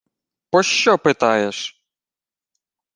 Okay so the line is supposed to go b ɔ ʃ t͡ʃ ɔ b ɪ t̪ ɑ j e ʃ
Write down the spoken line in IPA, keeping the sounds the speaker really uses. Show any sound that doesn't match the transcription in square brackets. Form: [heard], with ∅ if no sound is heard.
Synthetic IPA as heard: [p] ɔ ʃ t͡ʃ ɔ [p] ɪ t̪ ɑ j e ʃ